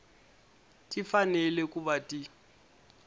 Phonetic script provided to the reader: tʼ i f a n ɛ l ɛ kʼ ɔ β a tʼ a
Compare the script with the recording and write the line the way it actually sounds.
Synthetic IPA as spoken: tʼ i f a n ɛ l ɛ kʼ u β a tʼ i